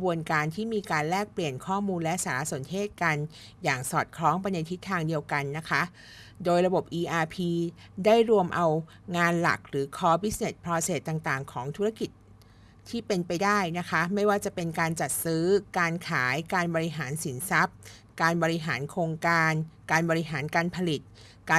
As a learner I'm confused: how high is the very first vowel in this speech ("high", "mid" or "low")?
high